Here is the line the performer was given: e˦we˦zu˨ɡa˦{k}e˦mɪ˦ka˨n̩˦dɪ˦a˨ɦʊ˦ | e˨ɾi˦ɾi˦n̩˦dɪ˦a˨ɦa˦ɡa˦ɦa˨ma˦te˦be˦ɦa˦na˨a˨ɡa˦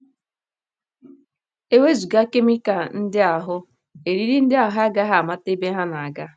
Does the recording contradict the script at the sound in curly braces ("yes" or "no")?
no